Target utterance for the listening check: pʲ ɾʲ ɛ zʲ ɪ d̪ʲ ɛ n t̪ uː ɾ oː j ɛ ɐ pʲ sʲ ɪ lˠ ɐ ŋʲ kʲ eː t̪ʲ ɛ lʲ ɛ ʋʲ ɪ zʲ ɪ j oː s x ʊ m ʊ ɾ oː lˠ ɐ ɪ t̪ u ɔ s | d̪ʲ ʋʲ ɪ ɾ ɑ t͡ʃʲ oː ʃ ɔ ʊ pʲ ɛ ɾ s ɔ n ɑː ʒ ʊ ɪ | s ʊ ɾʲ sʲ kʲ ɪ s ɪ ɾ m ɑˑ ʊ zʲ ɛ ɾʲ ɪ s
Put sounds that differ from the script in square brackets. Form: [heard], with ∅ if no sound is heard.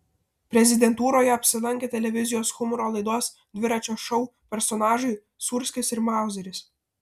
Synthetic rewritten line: pʲ ɾʲ ɛ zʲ ɪ d̪ʲ ɛ n t̪ uː ɾ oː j ɛ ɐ pʲ sʲ ɪ lˠ ɐ ŋʲ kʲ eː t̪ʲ ɛ lʲ ɛ ʋʲ ɪ zʲ ɪ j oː s x ʊ m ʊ ɾ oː lˠ ɐ ɪ [d̪] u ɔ s | d̪ʲ ʋʲ ɪ ɾ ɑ t͡ʃʲ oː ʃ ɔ ʊ pʲ ɛ ɾ s ɔ n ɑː ʒ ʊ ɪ | s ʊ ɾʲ sʲ kʲ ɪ s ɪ ɾ m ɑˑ ʊ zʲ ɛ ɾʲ ɪ s